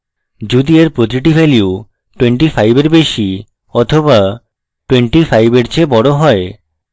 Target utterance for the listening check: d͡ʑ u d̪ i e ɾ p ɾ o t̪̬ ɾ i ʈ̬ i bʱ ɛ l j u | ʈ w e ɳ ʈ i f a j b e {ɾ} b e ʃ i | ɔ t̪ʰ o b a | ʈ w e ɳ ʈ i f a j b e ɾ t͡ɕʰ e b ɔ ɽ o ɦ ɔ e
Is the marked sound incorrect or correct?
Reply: correct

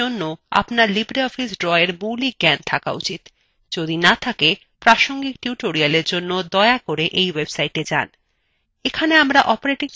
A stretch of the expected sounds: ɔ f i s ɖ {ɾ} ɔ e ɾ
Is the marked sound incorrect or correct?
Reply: correct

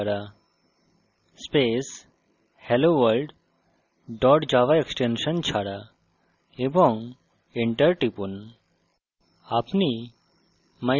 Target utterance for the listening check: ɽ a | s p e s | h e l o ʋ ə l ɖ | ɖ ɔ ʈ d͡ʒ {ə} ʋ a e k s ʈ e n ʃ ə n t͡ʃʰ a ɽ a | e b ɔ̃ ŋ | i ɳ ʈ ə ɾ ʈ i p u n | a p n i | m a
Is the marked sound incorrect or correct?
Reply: incorrect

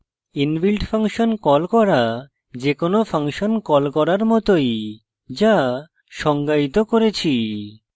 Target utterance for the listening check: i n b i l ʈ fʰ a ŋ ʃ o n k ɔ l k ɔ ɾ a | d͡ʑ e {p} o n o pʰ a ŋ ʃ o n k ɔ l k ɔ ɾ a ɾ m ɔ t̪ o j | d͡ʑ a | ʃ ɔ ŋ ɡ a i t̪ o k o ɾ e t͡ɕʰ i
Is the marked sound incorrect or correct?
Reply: incorrect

